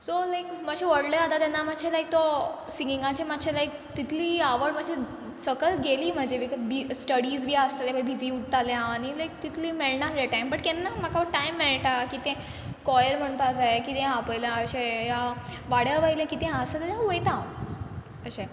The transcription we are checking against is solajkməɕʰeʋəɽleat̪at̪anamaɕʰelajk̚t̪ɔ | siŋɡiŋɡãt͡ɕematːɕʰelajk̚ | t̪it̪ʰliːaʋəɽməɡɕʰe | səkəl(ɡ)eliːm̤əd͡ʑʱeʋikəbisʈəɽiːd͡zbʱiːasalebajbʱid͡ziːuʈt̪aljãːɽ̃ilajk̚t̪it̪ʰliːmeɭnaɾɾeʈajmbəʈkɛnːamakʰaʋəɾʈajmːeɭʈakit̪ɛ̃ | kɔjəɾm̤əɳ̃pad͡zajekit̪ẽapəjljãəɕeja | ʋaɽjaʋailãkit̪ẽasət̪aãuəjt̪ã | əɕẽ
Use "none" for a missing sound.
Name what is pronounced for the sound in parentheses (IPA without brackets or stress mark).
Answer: ɡ